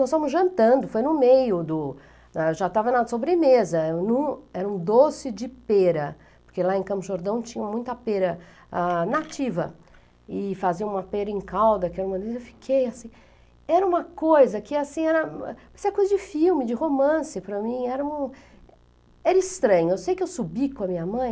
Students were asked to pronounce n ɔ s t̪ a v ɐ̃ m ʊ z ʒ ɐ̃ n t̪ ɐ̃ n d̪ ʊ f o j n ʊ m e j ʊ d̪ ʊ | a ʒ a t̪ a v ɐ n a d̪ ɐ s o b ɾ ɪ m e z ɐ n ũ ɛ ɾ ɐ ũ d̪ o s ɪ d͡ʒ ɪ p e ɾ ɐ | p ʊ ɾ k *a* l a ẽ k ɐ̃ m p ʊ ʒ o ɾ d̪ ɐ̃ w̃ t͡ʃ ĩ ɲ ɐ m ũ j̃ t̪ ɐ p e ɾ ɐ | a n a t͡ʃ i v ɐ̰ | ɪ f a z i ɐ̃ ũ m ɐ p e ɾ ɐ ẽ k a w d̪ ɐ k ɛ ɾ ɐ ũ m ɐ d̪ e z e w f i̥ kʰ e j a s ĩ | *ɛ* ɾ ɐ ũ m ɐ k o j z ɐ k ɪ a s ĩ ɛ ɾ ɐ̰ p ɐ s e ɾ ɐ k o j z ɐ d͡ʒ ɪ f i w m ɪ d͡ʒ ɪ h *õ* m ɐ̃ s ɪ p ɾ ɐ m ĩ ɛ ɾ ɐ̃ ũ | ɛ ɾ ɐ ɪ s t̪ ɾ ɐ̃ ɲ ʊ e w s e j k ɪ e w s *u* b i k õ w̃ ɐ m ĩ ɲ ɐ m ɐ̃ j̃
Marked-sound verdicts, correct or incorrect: incorrect: e, correct, incorrect: o, correct

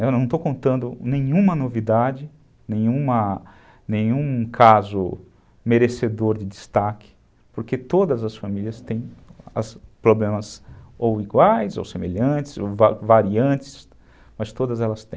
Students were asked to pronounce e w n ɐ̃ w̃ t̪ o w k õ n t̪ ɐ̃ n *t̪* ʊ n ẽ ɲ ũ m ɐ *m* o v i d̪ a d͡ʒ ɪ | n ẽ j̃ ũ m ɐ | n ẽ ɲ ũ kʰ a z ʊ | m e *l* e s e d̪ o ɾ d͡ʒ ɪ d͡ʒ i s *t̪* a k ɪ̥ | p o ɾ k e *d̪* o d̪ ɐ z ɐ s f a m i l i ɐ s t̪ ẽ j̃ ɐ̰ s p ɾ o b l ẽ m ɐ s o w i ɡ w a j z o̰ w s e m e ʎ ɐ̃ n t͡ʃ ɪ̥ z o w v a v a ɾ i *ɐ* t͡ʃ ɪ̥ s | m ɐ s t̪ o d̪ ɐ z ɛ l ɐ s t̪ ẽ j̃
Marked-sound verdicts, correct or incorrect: incorrect: d̪, incorrect: n, incorrect: ɾ, correct, incorrect: t̪, incorrect: ɐ̃

